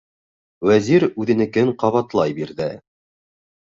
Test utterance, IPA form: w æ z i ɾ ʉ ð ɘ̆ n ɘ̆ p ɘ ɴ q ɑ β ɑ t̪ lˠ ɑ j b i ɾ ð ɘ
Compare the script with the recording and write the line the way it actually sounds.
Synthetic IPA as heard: w æ z i ɾ ʉ ð ɘ̆ n ɘ̆ k ɘ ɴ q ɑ β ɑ t̪ lˠ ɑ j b i ɾ ð ɘ